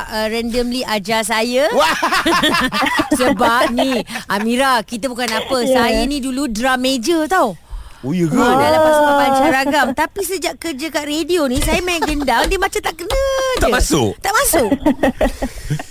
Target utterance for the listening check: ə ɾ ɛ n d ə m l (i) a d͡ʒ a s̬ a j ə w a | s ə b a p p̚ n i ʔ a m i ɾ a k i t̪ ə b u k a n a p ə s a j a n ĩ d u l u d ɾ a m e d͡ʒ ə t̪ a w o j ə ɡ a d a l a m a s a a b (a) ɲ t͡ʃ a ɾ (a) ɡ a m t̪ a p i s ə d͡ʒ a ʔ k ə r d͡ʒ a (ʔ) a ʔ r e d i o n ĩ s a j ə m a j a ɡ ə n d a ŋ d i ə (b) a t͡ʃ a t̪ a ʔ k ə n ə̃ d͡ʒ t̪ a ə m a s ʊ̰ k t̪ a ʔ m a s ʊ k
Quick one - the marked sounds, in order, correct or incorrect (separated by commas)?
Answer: correct, correct, correct, incorrect, incorrect